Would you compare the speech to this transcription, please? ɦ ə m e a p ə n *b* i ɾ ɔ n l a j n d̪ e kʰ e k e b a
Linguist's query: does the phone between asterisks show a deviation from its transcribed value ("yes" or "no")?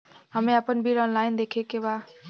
no